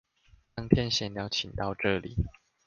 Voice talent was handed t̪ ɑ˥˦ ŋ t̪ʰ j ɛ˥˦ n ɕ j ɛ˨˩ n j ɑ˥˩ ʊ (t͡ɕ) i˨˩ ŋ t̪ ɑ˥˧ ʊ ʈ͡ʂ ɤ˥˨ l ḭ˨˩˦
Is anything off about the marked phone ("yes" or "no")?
yes